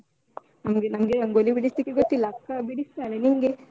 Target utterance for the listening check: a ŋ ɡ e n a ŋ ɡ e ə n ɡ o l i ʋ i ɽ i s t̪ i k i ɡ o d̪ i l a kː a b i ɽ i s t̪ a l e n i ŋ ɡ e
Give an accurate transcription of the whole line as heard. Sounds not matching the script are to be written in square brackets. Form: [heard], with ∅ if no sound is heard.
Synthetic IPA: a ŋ ɡ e n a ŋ ɡ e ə [ŋ] ɡ o l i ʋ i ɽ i s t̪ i k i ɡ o [t̪] i l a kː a b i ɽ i s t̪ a l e n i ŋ ɡ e